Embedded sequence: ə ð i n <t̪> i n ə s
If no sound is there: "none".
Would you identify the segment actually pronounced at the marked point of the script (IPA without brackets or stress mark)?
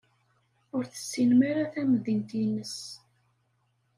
t̪